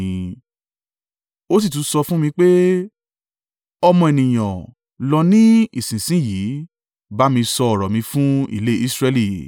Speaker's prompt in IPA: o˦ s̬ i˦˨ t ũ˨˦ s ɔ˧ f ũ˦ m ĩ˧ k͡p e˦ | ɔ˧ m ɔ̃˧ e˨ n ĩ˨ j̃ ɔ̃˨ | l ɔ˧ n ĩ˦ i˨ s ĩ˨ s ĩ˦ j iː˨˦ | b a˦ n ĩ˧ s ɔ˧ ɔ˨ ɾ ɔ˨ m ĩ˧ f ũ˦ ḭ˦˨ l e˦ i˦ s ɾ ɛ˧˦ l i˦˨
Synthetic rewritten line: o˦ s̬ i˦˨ t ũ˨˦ s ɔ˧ f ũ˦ m ĩ˧ k͡p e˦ | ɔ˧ m ɔ̃˧ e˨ n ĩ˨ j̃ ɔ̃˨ | l ɔ˧ n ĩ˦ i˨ s ĩ˨ s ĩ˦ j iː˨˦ | b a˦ m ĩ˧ s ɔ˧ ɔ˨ ɾ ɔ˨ m ĩ˧ f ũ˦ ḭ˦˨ l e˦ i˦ s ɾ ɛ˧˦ l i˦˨